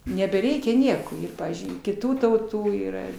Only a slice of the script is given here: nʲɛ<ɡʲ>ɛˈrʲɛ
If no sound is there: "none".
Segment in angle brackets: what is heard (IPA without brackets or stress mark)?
bʲ